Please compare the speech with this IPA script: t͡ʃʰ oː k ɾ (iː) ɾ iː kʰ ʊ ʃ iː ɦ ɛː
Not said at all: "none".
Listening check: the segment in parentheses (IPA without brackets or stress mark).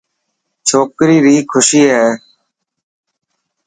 iː